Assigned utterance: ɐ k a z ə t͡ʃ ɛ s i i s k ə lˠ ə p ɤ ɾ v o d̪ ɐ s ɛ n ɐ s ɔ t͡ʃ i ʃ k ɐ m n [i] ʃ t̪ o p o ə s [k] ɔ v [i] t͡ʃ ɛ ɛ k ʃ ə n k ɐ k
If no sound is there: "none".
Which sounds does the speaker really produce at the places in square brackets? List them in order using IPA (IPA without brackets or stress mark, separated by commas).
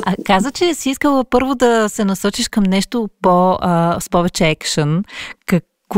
ɛ, p, ɛ